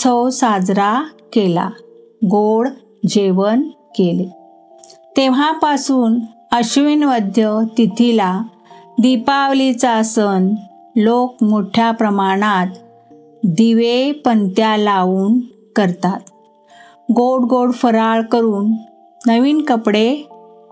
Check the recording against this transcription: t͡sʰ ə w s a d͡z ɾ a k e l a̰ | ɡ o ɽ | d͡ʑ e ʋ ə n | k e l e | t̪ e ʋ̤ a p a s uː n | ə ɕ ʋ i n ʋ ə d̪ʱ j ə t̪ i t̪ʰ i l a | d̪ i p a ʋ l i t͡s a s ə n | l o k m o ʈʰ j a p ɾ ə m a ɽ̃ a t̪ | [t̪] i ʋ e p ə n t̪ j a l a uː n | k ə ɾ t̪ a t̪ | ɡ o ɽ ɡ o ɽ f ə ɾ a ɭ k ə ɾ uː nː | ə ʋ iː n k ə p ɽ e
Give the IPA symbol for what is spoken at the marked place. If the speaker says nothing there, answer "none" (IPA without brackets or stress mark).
d̪